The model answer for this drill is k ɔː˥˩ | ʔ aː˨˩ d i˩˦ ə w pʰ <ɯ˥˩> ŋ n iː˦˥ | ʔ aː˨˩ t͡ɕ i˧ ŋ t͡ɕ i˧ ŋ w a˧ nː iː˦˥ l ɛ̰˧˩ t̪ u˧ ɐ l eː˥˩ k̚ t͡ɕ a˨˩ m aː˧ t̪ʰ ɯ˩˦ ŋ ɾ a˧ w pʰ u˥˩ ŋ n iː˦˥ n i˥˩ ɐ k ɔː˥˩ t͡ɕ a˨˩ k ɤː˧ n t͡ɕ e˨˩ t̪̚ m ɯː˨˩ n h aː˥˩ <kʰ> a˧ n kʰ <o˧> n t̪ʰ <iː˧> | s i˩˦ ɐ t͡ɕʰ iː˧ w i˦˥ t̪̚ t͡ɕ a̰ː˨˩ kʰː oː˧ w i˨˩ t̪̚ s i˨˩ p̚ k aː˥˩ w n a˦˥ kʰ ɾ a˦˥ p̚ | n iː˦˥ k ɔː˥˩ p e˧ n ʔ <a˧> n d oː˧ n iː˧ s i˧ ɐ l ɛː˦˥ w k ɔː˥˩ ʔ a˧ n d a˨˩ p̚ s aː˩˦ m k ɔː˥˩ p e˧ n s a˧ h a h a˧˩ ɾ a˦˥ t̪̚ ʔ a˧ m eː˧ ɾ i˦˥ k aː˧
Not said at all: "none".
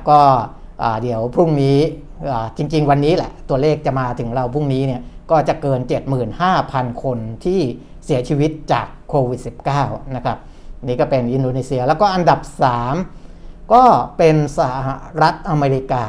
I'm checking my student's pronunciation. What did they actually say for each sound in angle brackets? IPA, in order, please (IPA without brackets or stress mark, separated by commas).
u˥˩, pʰ, o˧, iː˥˩, i˧